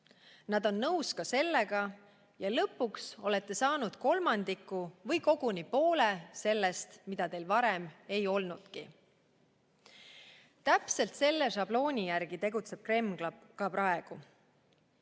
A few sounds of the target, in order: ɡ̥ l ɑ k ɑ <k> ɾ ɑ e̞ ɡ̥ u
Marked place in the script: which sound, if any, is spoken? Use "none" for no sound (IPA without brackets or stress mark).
p